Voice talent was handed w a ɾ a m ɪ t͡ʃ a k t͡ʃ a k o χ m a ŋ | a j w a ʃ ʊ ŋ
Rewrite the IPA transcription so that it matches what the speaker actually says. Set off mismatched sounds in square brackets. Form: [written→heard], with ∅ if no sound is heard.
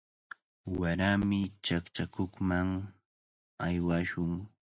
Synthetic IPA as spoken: w a ɾ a m ɪ t͡ʃ a k t͡ʃ a k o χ m a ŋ | a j w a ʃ ʊ ŋ